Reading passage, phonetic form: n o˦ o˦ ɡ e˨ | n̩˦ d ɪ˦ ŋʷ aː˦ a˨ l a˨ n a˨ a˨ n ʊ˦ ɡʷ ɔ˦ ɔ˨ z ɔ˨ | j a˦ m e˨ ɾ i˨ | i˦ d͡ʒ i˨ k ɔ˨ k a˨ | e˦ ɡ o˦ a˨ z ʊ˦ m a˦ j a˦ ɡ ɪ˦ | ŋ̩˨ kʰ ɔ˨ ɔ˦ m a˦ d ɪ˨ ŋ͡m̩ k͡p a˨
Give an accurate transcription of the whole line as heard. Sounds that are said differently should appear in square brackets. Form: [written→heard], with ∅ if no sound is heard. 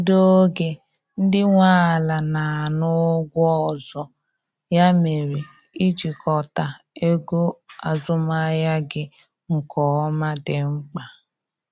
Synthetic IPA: [n→d] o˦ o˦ ɡ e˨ | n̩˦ d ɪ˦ ŋʷ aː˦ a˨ l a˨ n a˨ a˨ n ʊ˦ ɡʷ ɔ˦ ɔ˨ z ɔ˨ | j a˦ m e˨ ɾ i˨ | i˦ d͡ʒ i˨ k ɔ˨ [k→t] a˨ | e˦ ɡ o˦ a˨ z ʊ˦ m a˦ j a˦ ɡ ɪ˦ | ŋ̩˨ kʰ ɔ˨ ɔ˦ m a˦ d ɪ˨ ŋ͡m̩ k͡p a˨